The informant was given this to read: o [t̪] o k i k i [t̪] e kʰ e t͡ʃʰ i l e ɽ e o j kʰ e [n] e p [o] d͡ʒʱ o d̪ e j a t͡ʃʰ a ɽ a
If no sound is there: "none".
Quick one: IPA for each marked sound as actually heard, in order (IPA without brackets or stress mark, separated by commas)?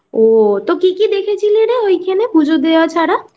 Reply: t̪, d̪, n, u